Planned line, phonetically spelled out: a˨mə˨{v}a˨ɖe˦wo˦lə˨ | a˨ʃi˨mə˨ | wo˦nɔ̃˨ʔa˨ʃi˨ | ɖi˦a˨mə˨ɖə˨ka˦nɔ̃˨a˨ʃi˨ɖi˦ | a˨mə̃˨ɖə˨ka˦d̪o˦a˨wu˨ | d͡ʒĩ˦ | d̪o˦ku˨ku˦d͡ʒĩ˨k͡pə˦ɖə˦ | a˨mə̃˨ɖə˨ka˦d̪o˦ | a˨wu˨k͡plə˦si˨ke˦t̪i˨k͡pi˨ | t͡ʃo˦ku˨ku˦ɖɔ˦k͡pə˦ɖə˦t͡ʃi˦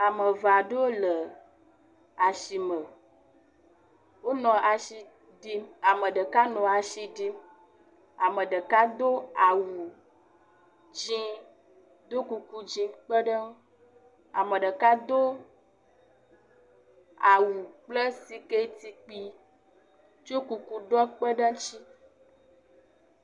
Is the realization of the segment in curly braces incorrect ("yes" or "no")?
no